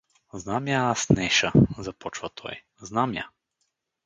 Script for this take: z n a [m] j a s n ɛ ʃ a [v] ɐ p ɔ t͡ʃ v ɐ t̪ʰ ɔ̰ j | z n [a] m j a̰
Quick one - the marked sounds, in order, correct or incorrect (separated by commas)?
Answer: correct, incorrect, correct